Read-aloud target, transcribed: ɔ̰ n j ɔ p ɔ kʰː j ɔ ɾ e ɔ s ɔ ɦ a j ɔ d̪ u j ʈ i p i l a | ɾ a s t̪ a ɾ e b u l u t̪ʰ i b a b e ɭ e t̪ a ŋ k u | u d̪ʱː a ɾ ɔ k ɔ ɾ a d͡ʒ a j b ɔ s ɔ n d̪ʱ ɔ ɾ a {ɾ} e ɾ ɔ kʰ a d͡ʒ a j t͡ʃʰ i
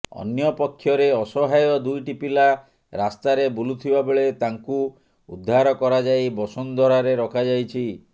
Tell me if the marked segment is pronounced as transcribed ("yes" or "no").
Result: yes